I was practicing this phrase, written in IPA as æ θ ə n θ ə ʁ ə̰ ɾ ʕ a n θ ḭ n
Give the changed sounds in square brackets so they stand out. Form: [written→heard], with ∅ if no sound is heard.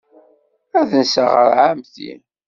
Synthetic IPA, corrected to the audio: æ [θ→ð] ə n [θ→s] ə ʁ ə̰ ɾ ʕ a [n→m] θ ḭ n